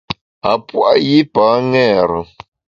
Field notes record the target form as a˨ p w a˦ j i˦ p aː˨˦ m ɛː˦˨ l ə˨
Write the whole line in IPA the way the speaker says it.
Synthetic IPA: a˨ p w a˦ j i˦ p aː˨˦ ŋ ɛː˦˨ ɾ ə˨